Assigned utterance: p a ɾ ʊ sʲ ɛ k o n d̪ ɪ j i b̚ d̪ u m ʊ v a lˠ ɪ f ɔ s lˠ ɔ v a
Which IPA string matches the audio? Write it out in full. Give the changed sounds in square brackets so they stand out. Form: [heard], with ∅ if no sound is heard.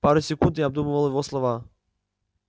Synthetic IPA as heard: p a ɾ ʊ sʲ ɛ k [u] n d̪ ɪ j [a] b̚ d̪ u m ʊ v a lˠ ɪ [v] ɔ s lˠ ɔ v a